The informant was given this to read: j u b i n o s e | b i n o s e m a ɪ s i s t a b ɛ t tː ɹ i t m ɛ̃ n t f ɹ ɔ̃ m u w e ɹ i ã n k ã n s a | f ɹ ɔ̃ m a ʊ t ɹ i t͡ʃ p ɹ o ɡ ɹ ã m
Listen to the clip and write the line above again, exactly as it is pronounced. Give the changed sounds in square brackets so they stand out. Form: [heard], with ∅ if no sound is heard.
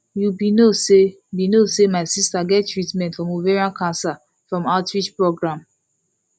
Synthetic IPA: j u b i n o s e | b i n o s e m a ɪ s i s t a [ɡ] ɛ t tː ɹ i t m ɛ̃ n t f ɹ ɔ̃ m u [v] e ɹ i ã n k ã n s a | f ɹ ɔ̃ m a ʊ t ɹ i t͡ʃ p ɹ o ɡ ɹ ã m